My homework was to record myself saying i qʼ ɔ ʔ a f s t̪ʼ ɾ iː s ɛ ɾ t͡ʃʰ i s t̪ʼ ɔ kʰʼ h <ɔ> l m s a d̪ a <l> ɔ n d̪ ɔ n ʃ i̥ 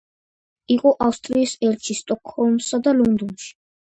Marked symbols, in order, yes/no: yes, yes

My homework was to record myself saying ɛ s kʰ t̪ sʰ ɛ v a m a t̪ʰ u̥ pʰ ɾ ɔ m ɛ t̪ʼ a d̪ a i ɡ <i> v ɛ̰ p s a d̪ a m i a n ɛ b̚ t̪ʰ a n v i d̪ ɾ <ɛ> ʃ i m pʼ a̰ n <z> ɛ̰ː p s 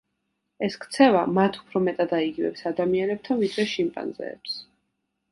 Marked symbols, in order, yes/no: yes, yes, yes

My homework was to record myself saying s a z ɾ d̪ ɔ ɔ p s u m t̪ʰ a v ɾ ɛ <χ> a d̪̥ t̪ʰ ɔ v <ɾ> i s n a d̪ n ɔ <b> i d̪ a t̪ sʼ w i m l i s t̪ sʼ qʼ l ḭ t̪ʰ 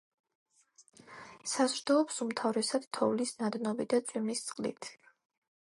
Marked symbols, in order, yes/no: no, no, yes

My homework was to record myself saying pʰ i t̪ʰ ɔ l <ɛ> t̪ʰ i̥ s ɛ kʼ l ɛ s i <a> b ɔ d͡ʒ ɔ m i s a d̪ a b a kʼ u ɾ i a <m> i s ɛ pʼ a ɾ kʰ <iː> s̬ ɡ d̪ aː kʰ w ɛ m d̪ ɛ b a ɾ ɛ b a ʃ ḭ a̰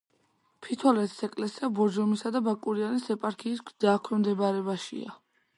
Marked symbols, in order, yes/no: yes, yes, no, yes

